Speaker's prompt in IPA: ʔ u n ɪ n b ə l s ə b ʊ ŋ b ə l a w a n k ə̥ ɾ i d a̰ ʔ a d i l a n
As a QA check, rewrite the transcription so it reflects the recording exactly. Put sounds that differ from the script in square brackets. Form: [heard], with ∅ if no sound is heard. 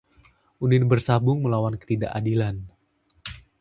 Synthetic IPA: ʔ u n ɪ n b ə [r] s [a] b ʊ ŋ [m] ə l a w a n k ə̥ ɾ i d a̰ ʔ a d i l a n

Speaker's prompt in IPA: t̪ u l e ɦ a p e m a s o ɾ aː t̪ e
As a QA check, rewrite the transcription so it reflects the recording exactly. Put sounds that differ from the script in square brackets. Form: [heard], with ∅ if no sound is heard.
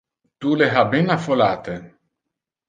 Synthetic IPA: t̪ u l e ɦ a [b] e [n] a [f] o [l] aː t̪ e

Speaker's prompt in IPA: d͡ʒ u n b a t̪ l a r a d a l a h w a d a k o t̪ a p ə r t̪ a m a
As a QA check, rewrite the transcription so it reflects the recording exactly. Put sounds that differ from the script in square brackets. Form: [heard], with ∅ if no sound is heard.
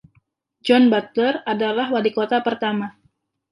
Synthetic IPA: d͡ʒ [ɔ] n b a t̪ l [ə] r a d a l a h w a d [i] k o t̪ a p ə r t̪ a m a

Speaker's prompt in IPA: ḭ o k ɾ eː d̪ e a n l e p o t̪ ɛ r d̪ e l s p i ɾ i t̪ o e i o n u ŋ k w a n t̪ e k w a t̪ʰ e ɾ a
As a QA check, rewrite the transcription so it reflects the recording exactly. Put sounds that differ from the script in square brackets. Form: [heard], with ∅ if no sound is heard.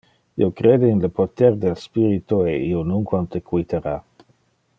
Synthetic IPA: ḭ o k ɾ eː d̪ e [i] n l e p o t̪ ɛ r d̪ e l s p i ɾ i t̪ o e i o n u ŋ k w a n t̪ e k w [i] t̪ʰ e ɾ a

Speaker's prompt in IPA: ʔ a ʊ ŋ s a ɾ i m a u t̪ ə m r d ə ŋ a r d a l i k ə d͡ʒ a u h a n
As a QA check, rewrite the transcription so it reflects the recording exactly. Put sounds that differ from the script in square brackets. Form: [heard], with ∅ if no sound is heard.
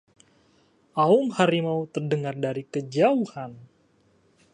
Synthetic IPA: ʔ a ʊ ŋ [h] a ɾ i m a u t̪ ə [∅] r d ə ŋ a r d a [ɾ] i k ə d͡ʒ a u h a n

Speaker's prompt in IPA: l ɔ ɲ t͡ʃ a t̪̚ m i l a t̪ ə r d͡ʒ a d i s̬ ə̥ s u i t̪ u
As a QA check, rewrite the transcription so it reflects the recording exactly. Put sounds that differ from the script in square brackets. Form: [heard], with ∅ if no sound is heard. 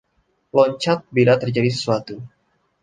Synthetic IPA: l ɔ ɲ t͡ʃ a t̪̚ [b] i l a t̪ ə r d͡ʒ a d i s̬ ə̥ s u [a] t̪ u

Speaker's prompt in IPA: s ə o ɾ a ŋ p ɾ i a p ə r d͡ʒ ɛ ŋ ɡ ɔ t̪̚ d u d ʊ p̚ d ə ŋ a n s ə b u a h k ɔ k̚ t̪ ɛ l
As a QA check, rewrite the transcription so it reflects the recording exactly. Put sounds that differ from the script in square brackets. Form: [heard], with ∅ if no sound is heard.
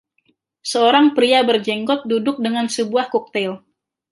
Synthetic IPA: s ə o ɾ a ŋ p ɾ i a [b] ə r d͡ʒ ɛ ŋ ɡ ɔ t̪̚ d u d ʊ [k̚] d ə ŋ a n s ə b u a h k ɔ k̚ t̪ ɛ l

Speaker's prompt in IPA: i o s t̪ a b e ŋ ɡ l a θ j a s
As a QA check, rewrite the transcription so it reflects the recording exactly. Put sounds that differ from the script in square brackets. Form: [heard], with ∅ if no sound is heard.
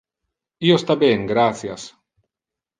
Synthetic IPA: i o s t̪ a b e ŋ ɡ [ɾ] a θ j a s

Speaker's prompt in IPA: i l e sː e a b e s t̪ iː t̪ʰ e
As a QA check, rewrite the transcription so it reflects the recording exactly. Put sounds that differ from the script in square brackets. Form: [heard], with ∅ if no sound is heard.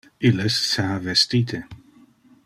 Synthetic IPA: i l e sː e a [v] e s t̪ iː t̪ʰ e

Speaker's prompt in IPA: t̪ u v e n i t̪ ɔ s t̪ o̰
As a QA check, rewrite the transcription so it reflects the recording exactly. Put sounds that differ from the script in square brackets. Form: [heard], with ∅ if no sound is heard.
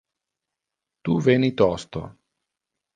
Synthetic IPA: t̪ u v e n i t̪ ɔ s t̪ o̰

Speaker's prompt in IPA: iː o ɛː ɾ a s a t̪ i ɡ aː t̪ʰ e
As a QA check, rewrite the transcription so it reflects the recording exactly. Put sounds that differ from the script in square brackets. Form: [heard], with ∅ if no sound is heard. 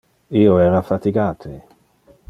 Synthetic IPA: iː o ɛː ɾ a [f] a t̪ i ɡ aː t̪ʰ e

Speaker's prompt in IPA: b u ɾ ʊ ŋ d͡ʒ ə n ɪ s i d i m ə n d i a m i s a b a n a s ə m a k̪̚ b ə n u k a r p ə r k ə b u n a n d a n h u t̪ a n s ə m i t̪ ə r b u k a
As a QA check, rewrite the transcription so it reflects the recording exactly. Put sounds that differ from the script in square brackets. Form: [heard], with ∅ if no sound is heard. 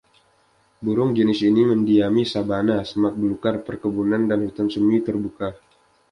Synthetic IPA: b u ɾ ʊ ŋ d͡ʒ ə n ɪ s i [n] i m ə n d i a m i s a b a n a s ə m a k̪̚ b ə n u k a r p ə r k ə b u n a n d a n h u t̪ a n s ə m i t̪ ə r b u k a

